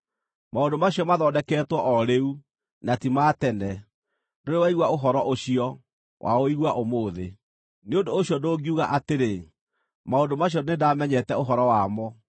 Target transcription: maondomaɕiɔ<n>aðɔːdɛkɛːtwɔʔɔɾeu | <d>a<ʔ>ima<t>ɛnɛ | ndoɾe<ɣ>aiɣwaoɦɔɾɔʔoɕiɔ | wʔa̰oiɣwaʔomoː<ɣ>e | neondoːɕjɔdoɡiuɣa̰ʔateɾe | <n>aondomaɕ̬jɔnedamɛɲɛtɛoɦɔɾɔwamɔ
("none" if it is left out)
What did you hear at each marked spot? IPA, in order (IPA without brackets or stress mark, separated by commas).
m, n, t, t, w, ð, m